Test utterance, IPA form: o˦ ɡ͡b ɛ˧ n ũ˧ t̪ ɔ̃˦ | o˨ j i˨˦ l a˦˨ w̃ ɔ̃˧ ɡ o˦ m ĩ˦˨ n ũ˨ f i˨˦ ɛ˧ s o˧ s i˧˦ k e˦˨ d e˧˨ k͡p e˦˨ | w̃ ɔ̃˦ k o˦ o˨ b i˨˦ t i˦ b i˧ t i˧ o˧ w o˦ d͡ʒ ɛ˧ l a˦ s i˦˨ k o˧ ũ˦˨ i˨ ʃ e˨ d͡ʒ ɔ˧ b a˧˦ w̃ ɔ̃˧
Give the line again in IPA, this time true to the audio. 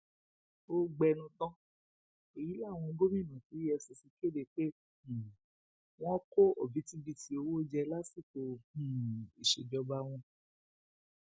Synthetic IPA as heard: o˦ ɡ͡b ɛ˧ n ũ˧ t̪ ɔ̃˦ | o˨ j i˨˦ l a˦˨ w̃ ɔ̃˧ ɡ o˦ m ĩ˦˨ n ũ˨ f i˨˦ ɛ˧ s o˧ s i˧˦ k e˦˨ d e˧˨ k͡p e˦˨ | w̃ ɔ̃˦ k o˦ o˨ b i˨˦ t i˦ b i˧ t i˧ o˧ w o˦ d͡ʒ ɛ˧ l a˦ s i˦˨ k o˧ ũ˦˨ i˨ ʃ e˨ d͡ʒ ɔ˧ b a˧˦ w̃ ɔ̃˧